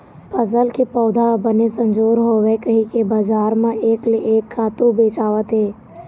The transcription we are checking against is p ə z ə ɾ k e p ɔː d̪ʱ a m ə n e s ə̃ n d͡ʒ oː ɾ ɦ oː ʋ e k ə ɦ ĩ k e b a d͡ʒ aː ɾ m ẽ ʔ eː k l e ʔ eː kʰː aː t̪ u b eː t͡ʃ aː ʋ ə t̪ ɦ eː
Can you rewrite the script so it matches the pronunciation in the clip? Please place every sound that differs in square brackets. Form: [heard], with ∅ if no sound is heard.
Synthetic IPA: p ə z ə [l] k e p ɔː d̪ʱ a [b] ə n e s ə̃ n d͡ʒ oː ɾ ɦ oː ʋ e k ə ɦ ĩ k e b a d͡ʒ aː ɾ m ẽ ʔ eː k l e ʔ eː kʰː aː t̪ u b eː t͡ʃ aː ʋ ə t̪ ɦ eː

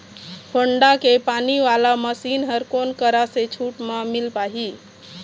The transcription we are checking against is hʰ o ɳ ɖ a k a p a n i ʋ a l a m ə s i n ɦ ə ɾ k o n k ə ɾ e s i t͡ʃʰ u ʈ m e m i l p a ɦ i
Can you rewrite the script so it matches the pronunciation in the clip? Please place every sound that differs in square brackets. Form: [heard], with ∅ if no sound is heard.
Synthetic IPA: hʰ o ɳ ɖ a k [e] p a n i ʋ a l a m ə s i n ɦ ə ɾ k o n k ə ɾ [a] s [e] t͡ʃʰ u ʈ m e m i l p a ɦ i

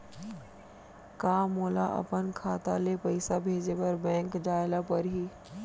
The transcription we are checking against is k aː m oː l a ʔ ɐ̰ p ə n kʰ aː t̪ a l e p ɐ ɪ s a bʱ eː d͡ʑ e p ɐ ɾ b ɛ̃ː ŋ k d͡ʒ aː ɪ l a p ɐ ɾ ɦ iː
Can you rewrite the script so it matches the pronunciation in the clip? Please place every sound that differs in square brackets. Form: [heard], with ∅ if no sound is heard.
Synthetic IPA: k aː m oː l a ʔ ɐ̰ p ə n kʰ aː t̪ a l e p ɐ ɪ s a bʱ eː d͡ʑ e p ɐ ɾ b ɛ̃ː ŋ k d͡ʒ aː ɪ l a p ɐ ɾ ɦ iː

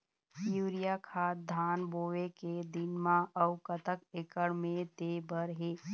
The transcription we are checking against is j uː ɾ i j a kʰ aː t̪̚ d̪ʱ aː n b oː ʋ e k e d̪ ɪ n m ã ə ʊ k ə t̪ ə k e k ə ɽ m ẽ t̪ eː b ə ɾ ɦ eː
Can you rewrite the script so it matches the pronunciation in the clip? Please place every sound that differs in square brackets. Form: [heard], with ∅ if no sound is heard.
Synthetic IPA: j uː ɾ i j a kʰ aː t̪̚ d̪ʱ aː n b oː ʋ e k e d̪ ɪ n m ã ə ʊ k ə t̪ ə k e k ə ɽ m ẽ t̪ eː b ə ɾ ɦ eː

